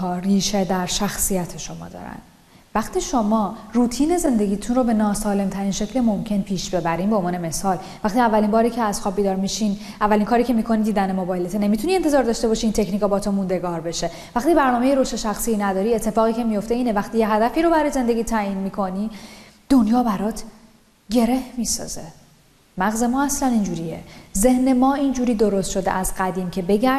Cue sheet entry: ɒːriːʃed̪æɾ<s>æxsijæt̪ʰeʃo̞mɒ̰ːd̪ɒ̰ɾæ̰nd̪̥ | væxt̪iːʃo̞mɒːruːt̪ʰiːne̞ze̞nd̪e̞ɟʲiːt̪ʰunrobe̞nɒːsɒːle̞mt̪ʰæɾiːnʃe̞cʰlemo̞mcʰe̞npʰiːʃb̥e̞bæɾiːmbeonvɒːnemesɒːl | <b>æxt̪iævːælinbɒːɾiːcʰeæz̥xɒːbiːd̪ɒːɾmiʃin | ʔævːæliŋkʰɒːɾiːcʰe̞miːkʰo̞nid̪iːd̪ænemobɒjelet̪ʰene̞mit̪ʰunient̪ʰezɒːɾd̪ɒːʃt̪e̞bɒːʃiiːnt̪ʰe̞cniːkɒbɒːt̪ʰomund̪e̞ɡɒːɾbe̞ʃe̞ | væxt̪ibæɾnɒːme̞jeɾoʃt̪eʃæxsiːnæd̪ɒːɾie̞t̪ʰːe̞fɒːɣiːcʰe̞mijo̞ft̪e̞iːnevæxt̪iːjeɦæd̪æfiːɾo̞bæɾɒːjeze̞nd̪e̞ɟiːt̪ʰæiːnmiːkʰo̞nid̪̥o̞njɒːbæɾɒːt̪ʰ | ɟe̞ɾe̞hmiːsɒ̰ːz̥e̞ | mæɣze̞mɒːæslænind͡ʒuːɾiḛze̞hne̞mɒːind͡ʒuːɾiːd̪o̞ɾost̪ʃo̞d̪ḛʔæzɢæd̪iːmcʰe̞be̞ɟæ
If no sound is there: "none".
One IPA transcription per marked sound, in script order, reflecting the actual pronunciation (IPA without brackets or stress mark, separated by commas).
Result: ʃ, v